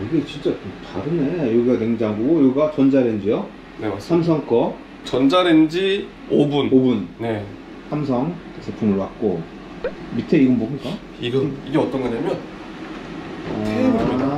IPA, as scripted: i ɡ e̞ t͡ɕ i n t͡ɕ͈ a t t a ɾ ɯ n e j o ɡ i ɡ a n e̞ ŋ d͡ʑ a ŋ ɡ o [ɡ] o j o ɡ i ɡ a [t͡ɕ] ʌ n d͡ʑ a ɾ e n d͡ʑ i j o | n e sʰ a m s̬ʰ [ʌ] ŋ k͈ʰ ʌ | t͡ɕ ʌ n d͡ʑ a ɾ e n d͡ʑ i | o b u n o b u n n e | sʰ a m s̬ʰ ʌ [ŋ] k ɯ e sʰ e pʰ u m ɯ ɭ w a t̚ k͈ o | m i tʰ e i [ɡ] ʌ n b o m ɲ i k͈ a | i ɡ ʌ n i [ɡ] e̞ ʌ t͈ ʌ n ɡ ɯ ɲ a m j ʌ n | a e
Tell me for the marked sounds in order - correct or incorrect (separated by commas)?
correct, correct, correct, correct, correct, correct